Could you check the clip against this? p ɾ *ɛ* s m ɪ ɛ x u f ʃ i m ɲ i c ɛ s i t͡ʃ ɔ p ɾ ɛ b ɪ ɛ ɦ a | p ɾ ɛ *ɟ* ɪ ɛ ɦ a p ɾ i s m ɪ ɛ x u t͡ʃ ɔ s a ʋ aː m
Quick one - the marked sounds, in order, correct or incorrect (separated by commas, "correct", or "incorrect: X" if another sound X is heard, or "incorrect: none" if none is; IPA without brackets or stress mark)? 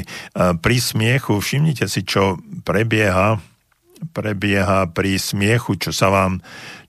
incorrect: i, incorrect: b